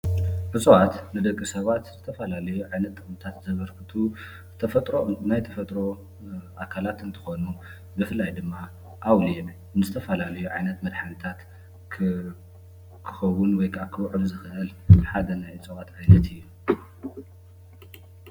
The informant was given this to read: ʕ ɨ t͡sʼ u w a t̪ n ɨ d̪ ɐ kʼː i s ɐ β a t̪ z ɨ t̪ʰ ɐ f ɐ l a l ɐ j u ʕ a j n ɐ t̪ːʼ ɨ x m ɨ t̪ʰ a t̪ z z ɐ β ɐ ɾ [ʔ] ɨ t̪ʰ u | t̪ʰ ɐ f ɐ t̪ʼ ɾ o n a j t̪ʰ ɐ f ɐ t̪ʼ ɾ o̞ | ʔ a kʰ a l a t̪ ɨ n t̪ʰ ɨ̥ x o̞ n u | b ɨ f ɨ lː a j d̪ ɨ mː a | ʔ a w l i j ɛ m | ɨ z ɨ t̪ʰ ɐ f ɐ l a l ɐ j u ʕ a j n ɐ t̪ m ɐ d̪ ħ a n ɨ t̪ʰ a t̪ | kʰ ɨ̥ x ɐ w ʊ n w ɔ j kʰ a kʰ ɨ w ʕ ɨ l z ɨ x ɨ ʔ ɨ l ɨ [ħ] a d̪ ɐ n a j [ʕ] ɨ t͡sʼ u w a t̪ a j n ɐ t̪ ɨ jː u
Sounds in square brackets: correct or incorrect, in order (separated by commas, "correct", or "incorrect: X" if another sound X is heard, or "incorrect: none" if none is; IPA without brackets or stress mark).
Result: incorrect: k, correct, correct